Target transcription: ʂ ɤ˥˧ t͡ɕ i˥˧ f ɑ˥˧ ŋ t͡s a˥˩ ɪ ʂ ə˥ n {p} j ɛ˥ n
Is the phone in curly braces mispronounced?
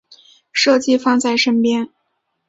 no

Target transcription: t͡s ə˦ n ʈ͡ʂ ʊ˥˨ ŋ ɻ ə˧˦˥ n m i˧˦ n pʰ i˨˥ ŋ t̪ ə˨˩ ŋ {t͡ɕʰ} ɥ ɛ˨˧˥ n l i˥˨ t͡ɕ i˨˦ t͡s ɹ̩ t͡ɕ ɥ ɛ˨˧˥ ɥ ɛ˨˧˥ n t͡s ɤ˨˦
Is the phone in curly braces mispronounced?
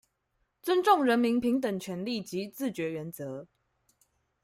no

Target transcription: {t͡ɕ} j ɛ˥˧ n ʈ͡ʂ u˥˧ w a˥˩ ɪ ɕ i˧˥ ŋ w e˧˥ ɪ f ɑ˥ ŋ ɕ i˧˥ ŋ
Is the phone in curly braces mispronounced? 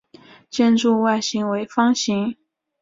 no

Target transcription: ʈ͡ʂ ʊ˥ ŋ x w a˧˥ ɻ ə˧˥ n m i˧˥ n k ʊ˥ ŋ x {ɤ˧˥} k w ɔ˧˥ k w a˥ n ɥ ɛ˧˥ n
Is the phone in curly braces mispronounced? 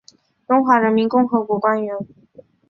no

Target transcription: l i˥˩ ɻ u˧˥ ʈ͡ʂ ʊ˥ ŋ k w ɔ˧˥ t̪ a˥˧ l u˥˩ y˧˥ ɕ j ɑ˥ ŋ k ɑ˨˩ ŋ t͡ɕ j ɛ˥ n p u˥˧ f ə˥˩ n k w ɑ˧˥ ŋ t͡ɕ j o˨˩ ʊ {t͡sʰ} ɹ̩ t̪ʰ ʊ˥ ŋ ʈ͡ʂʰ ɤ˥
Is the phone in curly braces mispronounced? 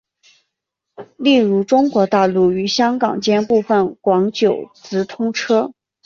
yes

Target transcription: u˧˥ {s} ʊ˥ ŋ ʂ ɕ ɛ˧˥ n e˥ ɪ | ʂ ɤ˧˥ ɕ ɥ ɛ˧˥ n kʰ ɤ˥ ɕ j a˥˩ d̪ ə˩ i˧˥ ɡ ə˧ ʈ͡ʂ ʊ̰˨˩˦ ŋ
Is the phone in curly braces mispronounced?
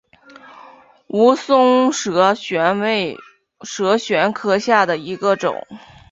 no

